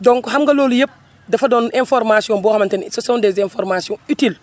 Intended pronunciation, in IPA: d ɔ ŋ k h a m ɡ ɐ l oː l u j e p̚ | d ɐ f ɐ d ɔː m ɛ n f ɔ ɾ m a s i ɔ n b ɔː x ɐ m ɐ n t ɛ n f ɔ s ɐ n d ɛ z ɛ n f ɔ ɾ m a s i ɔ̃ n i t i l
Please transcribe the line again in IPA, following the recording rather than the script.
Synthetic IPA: d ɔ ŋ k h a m ɡ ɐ l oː l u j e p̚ | d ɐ f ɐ d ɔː n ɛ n f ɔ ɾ m a s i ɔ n b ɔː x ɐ m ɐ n t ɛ n s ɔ s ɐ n d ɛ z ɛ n f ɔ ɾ m a s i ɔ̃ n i t i l